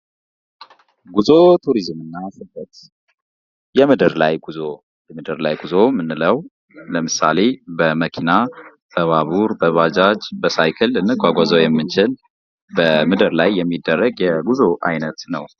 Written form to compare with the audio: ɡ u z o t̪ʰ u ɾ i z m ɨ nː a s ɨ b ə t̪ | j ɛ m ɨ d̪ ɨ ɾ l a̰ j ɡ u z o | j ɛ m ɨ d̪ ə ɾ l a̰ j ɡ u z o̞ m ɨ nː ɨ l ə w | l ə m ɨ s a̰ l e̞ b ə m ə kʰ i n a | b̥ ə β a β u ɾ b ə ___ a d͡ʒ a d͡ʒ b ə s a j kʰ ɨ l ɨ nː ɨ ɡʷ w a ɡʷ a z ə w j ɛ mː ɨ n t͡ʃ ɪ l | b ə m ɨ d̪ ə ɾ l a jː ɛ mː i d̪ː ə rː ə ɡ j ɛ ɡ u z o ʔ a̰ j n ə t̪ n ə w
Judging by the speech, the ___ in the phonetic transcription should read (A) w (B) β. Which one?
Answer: B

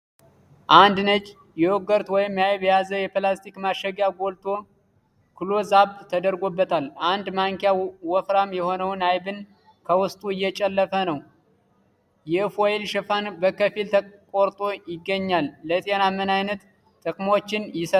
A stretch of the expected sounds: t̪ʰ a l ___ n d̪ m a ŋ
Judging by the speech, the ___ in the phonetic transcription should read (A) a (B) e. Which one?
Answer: A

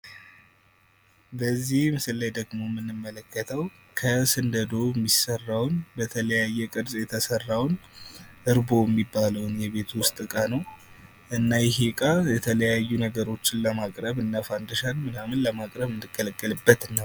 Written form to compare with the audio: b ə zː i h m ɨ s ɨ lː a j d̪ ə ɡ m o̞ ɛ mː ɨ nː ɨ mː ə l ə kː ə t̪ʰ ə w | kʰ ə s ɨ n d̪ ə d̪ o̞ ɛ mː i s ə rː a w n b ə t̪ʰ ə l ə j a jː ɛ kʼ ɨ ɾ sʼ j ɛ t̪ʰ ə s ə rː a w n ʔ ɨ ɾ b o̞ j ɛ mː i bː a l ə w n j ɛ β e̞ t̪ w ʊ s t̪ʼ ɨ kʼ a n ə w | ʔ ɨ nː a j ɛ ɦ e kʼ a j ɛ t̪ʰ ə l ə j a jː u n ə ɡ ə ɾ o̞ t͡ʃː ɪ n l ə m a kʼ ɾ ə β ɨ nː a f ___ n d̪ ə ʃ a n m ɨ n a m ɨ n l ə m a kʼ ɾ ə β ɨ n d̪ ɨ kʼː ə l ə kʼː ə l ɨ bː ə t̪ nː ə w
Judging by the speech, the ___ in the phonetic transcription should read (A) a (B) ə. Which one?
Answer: A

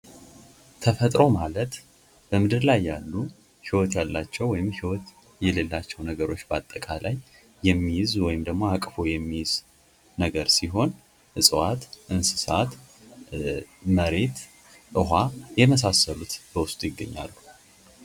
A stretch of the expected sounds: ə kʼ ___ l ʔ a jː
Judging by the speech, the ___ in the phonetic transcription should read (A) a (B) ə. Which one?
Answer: A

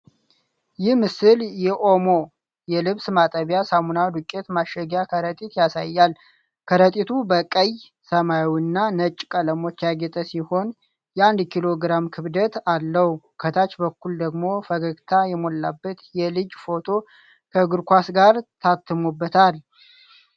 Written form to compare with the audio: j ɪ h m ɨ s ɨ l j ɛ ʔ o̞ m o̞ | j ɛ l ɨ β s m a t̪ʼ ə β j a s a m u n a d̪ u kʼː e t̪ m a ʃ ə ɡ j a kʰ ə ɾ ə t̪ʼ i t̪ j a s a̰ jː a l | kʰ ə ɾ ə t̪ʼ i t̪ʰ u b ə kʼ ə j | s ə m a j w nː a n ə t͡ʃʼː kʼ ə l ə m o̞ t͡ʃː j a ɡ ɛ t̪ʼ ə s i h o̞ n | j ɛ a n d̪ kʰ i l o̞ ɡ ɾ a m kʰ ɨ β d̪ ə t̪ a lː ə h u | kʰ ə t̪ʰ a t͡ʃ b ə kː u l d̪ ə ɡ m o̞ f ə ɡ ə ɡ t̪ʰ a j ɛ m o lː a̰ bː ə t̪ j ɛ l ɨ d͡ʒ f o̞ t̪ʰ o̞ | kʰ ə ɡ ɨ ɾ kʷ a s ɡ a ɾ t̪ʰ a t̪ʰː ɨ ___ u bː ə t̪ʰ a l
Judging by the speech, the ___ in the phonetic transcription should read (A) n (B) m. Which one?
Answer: B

